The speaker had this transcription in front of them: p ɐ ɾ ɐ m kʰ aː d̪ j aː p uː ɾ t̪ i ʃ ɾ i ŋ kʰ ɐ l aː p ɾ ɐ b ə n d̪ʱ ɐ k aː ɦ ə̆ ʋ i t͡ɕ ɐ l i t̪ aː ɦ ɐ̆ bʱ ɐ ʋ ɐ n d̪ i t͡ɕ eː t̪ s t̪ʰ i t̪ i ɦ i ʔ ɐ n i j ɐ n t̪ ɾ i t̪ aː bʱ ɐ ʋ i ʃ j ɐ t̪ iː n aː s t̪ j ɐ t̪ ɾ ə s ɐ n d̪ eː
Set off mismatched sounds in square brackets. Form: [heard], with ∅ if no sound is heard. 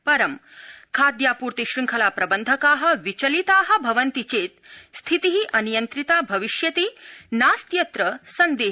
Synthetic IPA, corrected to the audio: p ɐ ɾ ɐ m kʰ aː d̪ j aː p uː ɾ t̪ i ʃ ɾ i ŋ kʰ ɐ l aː p ɾ ɐ b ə n d̪ʱ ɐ k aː ɦ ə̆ ʋ i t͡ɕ ɐ l i t̪ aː ɦ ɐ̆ bʱ ɐ ʋ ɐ n [t̪] i t͡ɕ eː t̪ s t̪ʰ i t̪ i ɦ i ʔ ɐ n i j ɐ n t̪ ɾ i t̪ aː bʱ ɐ ʋ i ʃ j ɐ t̪ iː n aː s t̪ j ɐ t̪ ɾ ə s ɐ n d̪ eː